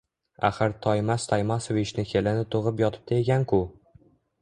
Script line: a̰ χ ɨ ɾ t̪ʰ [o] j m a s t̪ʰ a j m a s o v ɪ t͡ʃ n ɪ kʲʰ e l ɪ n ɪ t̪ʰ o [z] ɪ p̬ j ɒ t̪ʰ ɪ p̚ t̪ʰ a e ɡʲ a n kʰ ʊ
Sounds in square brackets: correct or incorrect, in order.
incorrect: ɒ, incorrect: ʁ

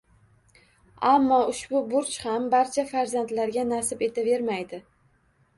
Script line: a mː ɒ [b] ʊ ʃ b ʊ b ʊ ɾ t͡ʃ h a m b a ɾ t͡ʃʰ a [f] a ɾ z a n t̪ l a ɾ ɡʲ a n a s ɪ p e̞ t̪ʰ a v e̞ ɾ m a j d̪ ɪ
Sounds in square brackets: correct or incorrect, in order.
incorrect: none, correct

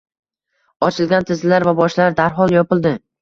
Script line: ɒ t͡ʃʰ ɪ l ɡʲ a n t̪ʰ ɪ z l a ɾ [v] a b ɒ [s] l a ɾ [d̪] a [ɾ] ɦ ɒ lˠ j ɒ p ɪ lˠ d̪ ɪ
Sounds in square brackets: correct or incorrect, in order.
correct, incorrect: ʃ, correct, correct

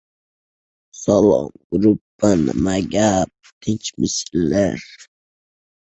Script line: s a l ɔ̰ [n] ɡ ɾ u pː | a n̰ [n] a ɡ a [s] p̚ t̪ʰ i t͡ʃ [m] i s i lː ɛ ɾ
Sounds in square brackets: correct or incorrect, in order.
incorrect: m, incorrect: m, incorrect: none, correct

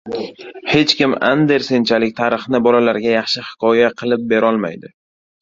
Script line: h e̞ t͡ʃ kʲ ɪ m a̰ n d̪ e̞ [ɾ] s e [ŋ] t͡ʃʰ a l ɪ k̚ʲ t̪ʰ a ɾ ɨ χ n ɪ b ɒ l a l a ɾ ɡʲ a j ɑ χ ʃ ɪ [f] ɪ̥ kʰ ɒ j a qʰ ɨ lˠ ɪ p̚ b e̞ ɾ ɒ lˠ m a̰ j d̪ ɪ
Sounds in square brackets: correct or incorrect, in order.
correct, incorrect: n, incorrect: h

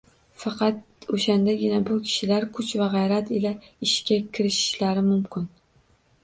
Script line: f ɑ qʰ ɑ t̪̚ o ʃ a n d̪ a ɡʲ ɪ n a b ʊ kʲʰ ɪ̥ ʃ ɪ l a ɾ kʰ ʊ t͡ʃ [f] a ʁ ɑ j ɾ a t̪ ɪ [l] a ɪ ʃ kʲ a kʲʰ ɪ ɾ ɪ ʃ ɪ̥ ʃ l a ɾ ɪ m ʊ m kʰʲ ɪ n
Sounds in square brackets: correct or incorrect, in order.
incorrect: v, correct

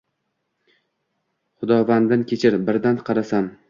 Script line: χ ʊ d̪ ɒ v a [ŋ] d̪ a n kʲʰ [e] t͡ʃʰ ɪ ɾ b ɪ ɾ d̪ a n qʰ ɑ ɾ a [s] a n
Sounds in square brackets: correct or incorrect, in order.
incorrect: n, correct, correct

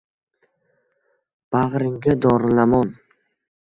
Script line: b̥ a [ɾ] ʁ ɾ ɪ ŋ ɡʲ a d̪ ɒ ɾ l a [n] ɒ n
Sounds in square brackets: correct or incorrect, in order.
incorrect: none, incorrect: m

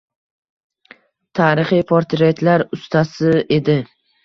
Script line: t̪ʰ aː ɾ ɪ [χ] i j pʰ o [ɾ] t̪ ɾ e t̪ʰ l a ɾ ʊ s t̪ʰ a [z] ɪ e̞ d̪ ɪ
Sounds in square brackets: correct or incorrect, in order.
correct, correct, incorrect: s

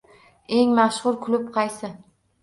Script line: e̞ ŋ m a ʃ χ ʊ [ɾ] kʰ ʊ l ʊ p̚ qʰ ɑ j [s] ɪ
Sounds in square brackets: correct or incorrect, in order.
correct, correct

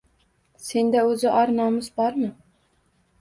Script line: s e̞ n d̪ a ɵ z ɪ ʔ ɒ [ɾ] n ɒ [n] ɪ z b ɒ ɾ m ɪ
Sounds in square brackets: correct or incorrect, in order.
correct, incorrect: m

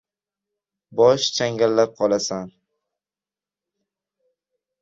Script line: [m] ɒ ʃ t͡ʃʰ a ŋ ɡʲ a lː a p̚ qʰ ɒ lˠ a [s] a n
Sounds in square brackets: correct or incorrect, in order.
incorrect: b, correct

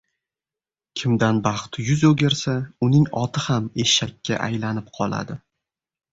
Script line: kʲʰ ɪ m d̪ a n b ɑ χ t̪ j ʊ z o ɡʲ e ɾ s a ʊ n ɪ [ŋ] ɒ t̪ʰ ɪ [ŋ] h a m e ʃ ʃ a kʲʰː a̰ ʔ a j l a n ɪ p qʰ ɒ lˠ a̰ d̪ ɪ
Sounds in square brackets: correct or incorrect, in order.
correct, incorrect: none

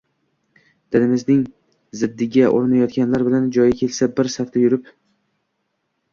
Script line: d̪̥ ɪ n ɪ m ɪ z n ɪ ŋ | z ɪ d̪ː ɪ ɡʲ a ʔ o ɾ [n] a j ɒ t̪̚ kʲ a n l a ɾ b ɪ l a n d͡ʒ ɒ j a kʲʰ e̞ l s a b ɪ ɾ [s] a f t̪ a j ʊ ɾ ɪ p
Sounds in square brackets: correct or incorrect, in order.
correct, correct

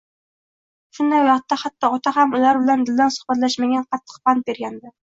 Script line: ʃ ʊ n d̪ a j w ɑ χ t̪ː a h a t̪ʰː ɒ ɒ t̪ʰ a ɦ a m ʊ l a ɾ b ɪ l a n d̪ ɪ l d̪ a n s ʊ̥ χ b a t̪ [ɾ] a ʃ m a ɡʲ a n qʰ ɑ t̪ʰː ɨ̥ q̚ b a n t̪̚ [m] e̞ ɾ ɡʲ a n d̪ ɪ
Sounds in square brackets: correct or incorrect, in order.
incorrect: l, incorrect: b

